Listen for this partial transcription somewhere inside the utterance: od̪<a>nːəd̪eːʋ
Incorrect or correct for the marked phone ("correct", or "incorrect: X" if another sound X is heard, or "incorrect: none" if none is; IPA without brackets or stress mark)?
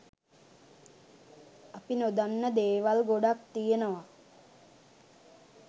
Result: correct